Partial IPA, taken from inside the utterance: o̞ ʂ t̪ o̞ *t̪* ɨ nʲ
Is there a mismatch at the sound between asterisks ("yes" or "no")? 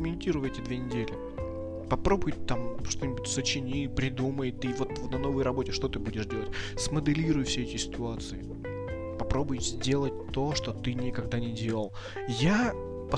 no